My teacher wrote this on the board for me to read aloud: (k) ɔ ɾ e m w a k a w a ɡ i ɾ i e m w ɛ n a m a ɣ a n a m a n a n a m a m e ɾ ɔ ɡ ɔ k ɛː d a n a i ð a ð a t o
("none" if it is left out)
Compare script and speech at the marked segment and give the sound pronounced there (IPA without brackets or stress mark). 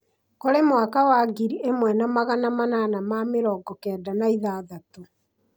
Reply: k